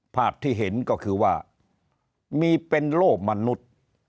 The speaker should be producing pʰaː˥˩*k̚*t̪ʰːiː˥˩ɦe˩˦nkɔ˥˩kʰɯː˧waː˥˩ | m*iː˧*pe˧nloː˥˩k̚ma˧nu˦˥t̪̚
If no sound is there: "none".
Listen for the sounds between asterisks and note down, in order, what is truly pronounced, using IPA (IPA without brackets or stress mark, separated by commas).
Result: p̚, iː˧